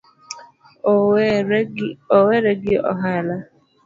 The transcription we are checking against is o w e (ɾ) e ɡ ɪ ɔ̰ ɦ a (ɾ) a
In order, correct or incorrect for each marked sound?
correct, incorrect: l

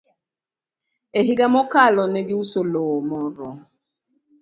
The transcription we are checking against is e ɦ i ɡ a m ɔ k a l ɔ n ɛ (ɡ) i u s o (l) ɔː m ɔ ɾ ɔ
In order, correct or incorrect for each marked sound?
correct, correct

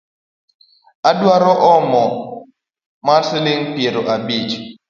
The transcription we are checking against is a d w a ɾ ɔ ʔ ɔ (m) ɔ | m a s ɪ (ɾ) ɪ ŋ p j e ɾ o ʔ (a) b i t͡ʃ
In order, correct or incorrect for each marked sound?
correct, incorrect: l, correct

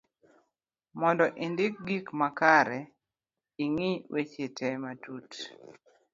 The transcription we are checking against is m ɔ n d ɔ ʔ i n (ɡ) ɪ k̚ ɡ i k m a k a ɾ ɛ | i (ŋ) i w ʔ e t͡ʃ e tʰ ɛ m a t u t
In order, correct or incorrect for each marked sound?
incorrect: d, correct

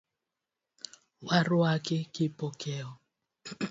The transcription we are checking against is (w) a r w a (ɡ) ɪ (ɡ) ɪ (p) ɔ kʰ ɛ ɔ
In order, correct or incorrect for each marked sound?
correct, incorrect: k, incorrect: k, correct

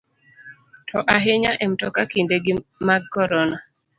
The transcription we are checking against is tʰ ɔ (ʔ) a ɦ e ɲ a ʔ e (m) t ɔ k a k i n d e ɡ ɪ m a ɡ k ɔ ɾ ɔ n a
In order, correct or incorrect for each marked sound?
correct, correct

